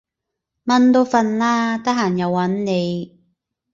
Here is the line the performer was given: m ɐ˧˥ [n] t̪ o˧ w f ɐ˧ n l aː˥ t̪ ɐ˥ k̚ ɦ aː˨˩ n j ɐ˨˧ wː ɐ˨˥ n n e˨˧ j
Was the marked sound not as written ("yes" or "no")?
no